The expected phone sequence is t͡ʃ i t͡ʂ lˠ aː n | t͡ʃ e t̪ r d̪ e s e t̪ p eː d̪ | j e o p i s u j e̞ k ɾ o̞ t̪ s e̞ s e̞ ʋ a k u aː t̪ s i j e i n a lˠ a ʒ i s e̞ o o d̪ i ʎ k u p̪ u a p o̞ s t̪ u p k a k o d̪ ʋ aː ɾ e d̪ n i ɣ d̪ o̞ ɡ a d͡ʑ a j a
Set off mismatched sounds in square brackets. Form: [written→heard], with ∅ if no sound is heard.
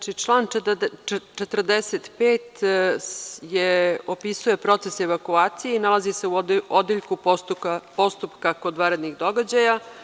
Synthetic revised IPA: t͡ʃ i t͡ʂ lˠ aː n | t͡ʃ e t̪ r d̪ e s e t̪ p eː [d̪→t̪] | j e o p i s u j e̞ [k→p] ɾ o̞ t̪ s e̞ s e̞ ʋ a k u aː t̪ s i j e i n a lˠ a [ʒ→z] i s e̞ [o→u] o d̪ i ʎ k u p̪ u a p o̞ s t̪ u p k a k o d̪ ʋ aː ɾ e d̪ n i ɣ d̪ o̞ ɡ a d͡ʑ a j a